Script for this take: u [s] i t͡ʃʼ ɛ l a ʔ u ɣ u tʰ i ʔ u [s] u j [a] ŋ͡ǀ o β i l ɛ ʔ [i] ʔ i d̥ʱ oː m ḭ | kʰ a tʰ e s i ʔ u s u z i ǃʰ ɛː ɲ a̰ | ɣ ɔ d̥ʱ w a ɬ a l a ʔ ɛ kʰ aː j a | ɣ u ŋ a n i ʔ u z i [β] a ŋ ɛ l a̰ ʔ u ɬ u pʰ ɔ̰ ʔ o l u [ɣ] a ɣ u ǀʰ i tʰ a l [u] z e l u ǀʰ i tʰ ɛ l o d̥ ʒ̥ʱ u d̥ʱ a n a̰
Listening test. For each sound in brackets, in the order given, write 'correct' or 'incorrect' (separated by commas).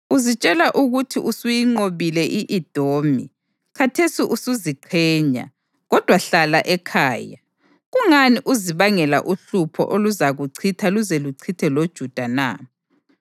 incorrect, correct, incorrect, correct, correct, incorrect, correct